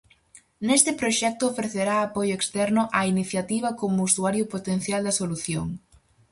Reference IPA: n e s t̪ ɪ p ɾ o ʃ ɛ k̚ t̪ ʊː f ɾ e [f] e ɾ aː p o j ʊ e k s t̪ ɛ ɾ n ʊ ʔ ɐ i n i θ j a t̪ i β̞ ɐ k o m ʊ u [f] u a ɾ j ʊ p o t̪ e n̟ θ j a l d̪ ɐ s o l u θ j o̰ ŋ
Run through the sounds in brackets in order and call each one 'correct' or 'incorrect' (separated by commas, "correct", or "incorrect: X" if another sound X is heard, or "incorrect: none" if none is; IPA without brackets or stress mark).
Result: incorrect: θ, incorrect: s